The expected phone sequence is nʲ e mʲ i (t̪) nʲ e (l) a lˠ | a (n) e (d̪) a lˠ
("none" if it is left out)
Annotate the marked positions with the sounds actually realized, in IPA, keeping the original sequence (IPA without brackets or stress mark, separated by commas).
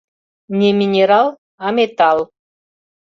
none, ɾ, m, t̪